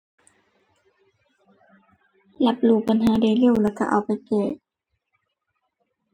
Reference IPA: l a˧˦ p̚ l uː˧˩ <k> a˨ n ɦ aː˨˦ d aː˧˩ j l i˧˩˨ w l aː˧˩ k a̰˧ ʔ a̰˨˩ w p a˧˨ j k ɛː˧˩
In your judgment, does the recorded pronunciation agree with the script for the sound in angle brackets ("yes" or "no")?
no